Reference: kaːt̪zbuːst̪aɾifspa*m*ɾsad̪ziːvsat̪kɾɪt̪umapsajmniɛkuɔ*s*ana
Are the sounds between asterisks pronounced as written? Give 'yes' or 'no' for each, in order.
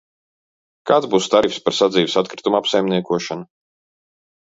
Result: no, no

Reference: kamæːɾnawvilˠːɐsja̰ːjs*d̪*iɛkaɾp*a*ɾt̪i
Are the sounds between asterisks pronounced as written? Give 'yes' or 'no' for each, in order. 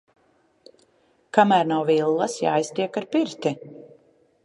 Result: no, no

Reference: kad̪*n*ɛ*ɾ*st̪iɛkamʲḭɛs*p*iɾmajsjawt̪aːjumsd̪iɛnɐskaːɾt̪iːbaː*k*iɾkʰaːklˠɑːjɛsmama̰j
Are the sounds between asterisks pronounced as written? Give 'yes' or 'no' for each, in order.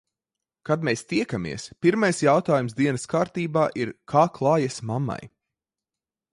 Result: no, no, yes, no

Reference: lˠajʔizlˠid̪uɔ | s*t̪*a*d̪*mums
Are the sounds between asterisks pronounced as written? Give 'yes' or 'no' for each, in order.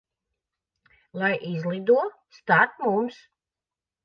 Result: yes, no

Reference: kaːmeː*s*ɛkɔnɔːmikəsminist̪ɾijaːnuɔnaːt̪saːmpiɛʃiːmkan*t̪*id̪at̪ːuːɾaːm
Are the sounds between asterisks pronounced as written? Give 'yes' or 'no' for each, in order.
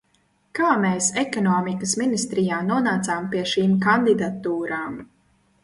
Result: yes, no

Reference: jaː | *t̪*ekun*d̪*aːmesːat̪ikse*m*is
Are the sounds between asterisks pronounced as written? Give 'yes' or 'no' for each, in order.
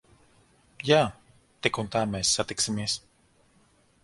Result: yes, no, yes

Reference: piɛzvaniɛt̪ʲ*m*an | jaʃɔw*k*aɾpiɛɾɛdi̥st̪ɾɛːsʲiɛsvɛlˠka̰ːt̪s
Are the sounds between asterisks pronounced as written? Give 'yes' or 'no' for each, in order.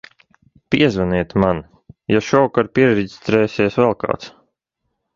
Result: yes, yes

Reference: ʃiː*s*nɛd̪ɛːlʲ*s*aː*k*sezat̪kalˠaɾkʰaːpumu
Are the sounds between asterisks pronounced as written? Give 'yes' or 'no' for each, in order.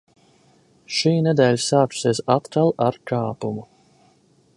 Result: no, yes, yes

